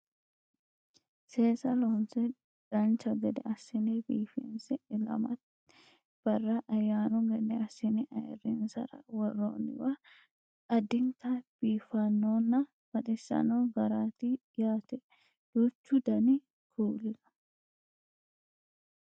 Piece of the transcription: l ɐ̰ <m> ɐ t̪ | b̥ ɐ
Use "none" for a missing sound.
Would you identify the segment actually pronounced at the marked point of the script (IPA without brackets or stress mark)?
m